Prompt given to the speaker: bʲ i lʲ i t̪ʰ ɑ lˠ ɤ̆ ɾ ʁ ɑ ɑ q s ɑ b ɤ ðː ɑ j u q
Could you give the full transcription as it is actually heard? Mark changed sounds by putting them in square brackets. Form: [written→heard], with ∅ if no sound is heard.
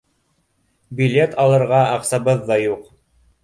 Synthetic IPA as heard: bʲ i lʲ [i→e] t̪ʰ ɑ lˠ ɤ̆ ɾ ʁ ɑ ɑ q s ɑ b ɤ ðː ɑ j u q